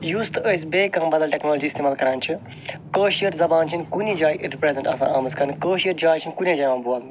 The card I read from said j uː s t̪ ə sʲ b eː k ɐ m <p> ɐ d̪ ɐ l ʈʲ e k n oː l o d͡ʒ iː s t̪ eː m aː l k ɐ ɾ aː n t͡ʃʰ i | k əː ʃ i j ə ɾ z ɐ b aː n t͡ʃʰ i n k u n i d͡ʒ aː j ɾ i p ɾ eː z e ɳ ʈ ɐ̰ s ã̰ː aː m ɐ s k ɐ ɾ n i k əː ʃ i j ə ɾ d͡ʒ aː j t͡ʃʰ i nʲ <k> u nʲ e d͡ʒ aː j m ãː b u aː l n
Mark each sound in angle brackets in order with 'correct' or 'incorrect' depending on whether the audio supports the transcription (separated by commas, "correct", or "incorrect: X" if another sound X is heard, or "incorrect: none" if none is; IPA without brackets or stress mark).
incorrect: b, correct